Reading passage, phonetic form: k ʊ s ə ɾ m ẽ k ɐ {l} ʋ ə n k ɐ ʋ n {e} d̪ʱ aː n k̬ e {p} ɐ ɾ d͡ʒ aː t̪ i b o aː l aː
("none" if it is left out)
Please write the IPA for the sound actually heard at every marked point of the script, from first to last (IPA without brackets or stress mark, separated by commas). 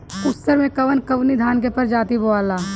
none, i, p